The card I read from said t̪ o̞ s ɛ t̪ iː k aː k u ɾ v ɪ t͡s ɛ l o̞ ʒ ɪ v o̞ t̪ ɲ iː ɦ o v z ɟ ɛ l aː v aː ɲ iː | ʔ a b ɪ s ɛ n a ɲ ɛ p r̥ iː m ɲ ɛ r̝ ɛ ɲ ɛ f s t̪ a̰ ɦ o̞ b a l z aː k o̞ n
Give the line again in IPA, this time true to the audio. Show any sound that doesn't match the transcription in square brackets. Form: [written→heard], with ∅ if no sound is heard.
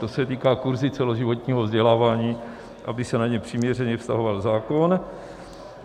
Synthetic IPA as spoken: t̪ o̞ s ɛ t̪ iː k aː k u ɾ [v→z] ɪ t͡s ɛ l o̞ ʒ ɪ v o̞ t̪ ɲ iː ɦ o v z ɟ ɛ l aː v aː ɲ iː | ʔ a b ɪ s ɛ n a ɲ ɛ p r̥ iː m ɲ ɛ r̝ ɛ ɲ ɛ f s t̪ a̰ ɦ o̞ [b→v] a l z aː k o̞ n